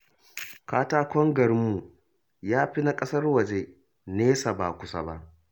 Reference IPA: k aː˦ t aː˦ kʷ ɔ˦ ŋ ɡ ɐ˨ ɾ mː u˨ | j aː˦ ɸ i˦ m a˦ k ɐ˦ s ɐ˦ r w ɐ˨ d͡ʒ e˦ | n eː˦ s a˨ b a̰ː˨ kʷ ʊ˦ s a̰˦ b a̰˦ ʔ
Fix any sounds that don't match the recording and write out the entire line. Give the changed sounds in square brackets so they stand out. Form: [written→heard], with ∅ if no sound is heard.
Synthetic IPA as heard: k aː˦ t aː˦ kʷ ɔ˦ ŋ ɡ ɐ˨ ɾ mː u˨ | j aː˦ ɸ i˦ [m→n] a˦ [k→kʼ] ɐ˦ s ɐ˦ r w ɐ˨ d͡ʒ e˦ | n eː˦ s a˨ b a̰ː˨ kʷ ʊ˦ s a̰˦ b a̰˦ ʔ